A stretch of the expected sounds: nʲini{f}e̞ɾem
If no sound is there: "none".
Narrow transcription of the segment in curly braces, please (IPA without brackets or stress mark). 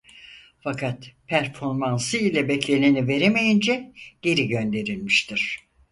v